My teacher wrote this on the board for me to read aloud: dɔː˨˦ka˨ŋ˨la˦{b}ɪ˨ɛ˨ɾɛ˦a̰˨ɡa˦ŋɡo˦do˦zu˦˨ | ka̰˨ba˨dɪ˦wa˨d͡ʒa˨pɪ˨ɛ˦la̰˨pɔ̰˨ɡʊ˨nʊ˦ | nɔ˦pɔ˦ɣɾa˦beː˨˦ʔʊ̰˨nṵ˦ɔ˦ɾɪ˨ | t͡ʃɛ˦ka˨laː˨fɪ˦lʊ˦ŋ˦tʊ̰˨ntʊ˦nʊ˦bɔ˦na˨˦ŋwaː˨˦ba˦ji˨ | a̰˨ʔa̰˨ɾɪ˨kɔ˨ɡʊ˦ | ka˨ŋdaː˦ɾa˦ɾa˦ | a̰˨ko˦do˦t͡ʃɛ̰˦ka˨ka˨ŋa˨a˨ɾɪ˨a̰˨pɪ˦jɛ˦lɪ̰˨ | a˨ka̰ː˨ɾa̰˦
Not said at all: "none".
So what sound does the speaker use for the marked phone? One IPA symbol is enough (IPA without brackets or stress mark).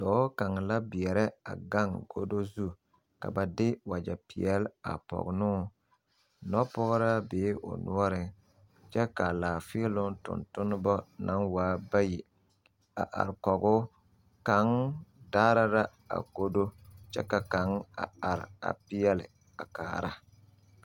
b